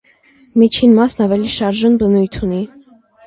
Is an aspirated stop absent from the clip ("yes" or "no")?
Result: no